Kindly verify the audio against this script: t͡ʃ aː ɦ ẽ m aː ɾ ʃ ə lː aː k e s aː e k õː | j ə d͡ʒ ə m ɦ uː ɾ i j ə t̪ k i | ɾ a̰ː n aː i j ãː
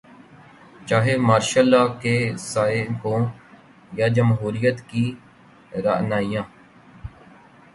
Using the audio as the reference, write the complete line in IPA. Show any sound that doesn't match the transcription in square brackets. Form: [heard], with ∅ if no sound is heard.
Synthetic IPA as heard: t͡ʃ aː ɦ [e] m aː ɾ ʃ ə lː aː k e s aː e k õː | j [a] d͡ʒ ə m ɦ uː ɾ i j ə t̪ k i | ɾ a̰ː n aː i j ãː

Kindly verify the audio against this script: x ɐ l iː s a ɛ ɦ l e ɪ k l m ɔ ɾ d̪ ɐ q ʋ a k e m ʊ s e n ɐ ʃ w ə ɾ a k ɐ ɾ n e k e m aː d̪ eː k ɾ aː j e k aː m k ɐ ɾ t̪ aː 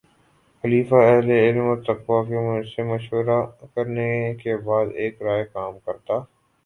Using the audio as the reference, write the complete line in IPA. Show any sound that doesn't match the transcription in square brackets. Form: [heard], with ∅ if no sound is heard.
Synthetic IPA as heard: x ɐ l iː [f] a ɛ ɦ l e ɪ [∅] l m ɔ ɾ [t̪] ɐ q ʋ a k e m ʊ s e [m] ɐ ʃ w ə ɾ a k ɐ ɾ n e k e [b] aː d̪ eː k ɾ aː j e k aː m k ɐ ɾ t̪ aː

